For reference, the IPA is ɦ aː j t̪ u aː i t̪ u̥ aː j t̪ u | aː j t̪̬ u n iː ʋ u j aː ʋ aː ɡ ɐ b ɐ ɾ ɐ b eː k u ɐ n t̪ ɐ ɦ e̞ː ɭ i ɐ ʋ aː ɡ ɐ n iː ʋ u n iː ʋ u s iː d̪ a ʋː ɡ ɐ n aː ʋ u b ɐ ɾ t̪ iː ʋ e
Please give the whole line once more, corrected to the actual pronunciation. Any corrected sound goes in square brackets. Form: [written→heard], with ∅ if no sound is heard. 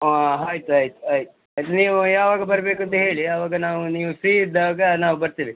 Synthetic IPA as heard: ɦ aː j t̪ u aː [i→j] t̪ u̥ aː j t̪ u | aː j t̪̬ u n iː ʋ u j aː ʋ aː ɡ ɐ b ɐ ɾ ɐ b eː k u ɐ n t̪ ɐ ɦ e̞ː ɭ i ɐ ʋ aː ɡ ɐ n [iː→aː] ʋ u n iː ʋ u s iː d̪ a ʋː ɡ ɐ n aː ʋ u b ɐ ɾ t̪ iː ʋ [e→i]

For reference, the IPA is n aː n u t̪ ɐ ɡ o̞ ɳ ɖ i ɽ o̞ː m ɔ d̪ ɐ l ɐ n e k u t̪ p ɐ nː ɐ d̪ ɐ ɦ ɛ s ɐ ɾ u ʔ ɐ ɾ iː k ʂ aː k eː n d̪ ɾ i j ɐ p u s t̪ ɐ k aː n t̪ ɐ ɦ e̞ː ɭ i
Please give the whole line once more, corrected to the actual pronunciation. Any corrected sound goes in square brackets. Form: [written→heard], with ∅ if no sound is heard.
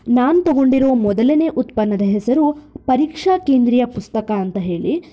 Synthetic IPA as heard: n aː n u t̪ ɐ ɡ o̞ ɳ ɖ i [ɽ→ɾ] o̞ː m ɔ d̪ ɐ l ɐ n e [k→ʔ] u t̪ p ɐ nː ɐ d̪ ɐ ɦ ɛ s ɐ ɾ u [ʔ→p] ɐ ɾ iː k ʂ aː k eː n d̪ ɾ i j ɐ p u s t̪ ɐ k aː n t̪ ɐ ɦ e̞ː ɭ i

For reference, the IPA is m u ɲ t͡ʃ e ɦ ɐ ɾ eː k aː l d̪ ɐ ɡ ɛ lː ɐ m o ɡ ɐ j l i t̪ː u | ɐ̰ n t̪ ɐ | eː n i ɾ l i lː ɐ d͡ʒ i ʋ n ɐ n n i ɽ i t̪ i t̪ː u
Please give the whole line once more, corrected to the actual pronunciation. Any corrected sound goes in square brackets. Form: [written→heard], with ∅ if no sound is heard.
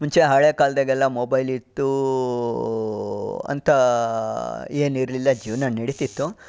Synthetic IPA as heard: m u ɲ t͡ʃ e ɦ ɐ [ɾ→ɭ] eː k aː l d̪ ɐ ɡ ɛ lː ɐ m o [ɡ→b] ɐ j l i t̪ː u | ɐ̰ n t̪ ɐ | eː n i ɾ l i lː ɐ d͡ʒ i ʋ n ɐ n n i ɽ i t̪ i t̪ː u

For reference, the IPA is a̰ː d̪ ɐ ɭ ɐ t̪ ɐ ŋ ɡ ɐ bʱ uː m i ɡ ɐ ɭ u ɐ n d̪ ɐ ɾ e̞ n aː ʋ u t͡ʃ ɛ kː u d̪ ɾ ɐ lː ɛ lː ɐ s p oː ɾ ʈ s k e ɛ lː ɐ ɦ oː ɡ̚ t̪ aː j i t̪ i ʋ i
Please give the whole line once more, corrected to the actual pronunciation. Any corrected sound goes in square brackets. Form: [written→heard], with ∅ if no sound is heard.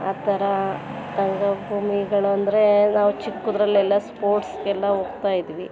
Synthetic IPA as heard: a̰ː [d̪→t̪] ɐ [ɭ→ɾ] ɐ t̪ ɐ ŋ ɡ ɐ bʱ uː m i ɡ ɐ ɭ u ɐ n d̪ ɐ ɾ e̞ n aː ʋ u t͡ʃ [ɛ→i] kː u d̪ ɾ ɐ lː ɛ lː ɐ s p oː ɾ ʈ s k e ɛ lː ɐ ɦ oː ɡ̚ t̪ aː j i [t̪→d̪] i ʋ i

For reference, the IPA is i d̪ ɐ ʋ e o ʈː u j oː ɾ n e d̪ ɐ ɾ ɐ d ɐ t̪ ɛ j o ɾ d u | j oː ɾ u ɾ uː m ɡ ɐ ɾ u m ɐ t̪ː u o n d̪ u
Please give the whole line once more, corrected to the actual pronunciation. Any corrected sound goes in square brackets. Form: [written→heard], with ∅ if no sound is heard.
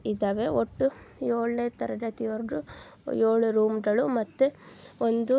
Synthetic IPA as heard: i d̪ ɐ ʋ e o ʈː u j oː [ɾ→ɭ] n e [d̪→t̪] ɐ ɾ ɐ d ɐ t̪ [ɛ→i] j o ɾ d u | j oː [ɾ→ɭ] u ɾ uː m ɡ ɐ [ɾ→ɭ] u m ɐ t̪ː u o n d̪ u

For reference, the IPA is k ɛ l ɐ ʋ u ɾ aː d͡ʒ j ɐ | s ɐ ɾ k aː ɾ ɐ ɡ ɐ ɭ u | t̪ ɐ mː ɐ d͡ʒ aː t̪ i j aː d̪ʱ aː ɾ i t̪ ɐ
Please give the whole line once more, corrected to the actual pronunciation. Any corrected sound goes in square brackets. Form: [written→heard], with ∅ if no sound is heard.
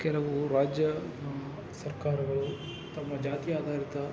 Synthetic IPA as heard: k ɛ l ɐ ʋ u ɾ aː d͡ʒ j ɐ | s ɐ ɾ k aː ɾ ɐ ɡ ɐ ɭ u | t̪ ɐ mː ɐ d͡ʒ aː t̪ i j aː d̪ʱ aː ɾ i t̪ ɐ

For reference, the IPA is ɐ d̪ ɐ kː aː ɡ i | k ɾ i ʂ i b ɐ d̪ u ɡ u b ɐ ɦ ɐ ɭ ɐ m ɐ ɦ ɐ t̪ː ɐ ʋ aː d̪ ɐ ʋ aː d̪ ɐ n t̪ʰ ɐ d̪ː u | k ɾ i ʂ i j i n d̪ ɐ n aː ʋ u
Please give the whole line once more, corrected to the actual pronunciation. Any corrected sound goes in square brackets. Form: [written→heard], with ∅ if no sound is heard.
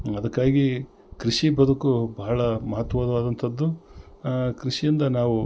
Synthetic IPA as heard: ɐ d̪ ɐ kː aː ɡ i | k ɾ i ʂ i b ɐ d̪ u [ɡ→k] u b ɐ ɦ ɐ ɭ ɐ m ɐ ɦ ɐ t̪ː ɐ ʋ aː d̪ ɐ ʋ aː d̪ ɐ n t̪ʰ ɐ d̪ː u | k ɾ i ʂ i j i n d̪ ɐ n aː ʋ u

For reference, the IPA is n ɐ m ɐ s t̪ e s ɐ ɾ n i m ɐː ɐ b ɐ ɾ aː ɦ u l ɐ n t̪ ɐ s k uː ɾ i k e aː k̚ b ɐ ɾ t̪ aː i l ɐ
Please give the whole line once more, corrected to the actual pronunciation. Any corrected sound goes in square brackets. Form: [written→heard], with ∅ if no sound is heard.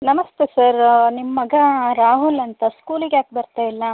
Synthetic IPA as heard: n ɐ m ɐ s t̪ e s ɐ ɾ n i m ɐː ɐ [b→ɡ] ɐ ɾ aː ɦ u l ɐ n t̪ ɐ s k uː [ɾ→l] i [k→ɡ] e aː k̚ b ɐ ɾ t̪ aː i [l→lː] ɐ

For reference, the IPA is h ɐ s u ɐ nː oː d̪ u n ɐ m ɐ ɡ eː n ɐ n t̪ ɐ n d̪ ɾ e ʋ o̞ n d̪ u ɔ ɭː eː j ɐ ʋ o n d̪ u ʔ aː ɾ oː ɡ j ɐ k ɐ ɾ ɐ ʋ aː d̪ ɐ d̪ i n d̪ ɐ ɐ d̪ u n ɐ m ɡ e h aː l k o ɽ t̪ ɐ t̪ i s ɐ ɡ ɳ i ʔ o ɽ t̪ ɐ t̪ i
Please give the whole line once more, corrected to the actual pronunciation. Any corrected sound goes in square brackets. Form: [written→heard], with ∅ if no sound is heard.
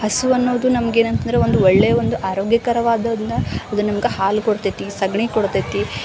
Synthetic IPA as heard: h ɐ s u ɐ nː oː d̪ u n ɐ m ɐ ɡ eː n ɐ n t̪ ɐ n d̪ ɾ e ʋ o̞ n d̪ u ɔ ɭː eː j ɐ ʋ o n d̪ u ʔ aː ɾ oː ɡ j ɐ k ɐ ɾ ɐ ʋ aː d̪ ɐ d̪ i n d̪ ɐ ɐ d̪ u n ɐ m ɡ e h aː l k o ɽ t̪ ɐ t̪ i s ɐ ɡ ɳ i [ʔ→k] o ɽ t̪ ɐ t̪ i

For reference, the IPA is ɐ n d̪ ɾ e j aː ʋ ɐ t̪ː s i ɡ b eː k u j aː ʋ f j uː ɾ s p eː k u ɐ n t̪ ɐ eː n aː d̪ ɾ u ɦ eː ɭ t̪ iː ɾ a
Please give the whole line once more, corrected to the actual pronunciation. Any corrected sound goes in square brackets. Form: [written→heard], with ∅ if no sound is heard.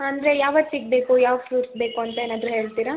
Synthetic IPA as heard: ɐ n d̪ ɾ e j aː ʋ ɐ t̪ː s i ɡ b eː k u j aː ʋ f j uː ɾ s [p→b] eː k u ɐ n t̪ ɐ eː n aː d̪ ɾ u ɦ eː ɭ t̪ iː ɾ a

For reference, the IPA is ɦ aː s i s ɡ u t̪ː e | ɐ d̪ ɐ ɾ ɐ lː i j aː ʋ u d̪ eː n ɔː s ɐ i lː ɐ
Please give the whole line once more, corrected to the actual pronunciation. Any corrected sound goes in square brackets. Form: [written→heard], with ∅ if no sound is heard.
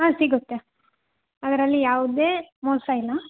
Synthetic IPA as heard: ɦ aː s i [s→∅] ɡ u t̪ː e | ɐ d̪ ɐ ɾ ɐ lː i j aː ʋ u d̪ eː [n→m] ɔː s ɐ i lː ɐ

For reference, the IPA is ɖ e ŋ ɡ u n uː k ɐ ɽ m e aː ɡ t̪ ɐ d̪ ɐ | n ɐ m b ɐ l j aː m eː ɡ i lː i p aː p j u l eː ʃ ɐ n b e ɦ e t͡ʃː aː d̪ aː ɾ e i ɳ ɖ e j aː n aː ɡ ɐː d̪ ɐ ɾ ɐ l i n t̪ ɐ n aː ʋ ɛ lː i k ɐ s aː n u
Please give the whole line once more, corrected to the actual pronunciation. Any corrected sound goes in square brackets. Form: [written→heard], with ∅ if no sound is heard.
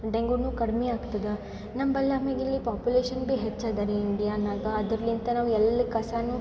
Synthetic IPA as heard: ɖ e ŋ ɡ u n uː k ɐ ɽ m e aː ɡ t̪ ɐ d̪ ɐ | n ɐ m b ɐ l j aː m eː ɡ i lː i p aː p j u l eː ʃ ɐ n b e ɦ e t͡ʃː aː d̪ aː ɾ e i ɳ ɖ [e→i] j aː n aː ɡ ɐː d̪ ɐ ɾ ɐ l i n t̪ ɐ n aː ʋ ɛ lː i k ɐ s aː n u

